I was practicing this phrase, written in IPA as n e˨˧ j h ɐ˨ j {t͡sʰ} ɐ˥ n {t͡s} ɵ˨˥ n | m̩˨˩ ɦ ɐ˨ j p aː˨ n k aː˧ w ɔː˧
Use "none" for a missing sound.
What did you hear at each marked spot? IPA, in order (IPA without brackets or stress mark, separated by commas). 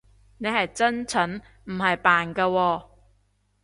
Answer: t͡s, t͡sʰ